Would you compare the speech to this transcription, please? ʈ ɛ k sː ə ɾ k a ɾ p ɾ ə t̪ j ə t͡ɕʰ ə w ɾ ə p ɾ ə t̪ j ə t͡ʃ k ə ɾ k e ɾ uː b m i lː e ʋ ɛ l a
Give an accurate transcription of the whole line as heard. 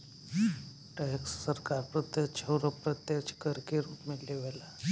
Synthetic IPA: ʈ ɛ k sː ə ɾ k a ɾ p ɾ ə t̪ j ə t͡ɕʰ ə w ɾ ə p ɾ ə t̪ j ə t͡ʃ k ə ɾ k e ɾ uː p m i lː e ʋ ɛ l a

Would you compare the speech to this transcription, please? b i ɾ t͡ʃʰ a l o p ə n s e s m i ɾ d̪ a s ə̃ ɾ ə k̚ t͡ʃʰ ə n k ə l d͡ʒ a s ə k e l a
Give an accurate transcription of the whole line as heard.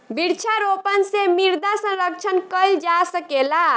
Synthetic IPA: b i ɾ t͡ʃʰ a ɾ o p ə n s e m i ɾ d̪ a s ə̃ ɾ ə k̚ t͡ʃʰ ə n k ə l d͡ʒ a s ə k e l a

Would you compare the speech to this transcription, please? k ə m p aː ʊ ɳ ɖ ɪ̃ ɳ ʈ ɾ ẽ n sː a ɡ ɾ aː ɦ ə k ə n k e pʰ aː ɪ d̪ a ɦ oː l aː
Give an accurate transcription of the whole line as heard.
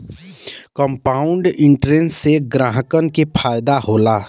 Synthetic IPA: k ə m p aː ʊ ɳ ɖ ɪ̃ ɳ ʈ ɾ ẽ n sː e ɡ ɾ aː ɦ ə k ə n k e pʰ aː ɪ d̪ a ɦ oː l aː

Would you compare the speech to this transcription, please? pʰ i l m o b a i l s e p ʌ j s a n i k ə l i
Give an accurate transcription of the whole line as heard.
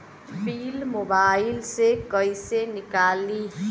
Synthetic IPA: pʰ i l m o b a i l s e k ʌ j s e n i k a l i

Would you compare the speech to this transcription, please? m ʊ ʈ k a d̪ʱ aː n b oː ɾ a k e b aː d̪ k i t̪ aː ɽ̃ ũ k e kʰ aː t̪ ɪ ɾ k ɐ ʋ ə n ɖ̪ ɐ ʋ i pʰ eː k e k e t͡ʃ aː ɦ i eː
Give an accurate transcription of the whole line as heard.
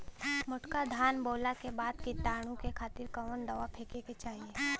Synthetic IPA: m ʊ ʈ k a d̪ʱ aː n b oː l a k e b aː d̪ k i t̪ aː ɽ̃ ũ k e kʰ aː t̪ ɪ ɾ k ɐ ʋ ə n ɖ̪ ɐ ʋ a pʰ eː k e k e t͡ʃ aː ɦ i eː

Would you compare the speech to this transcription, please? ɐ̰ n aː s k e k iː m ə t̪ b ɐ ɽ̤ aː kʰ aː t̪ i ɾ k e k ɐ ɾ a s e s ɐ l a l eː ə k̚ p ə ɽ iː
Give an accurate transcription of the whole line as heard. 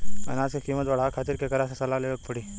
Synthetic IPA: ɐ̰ n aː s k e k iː m ə t̪ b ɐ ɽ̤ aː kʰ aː t̪ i ɾ k e k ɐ ɾ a s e s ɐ l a l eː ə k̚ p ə ɽ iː

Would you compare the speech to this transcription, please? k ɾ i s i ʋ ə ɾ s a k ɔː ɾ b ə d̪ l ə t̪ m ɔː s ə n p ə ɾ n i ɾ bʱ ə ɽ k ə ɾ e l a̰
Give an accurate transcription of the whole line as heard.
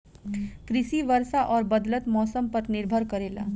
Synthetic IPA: k ɾ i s i ʋ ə ɾ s a ʔ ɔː ɾ b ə d̪ l ə t̪ m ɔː s ə m p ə ɾ n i ɾ bʱ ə ɾ k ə ɾ e l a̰

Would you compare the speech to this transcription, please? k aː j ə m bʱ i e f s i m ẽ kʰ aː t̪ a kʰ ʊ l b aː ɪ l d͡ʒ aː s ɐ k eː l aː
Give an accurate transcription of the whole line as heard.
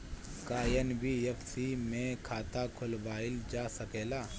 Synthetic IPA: k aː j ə n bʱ i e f s i m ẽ kʰ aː t̪ a kʰ ʊ l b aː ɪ l d͡ʒ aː s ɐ k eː l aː

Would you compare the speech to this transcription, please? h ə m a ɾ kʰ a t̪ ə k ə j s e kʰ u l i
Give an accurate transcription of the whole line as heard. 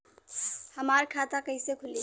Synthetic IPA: h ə m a ɾ kʰ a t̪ a k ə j s e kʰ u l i

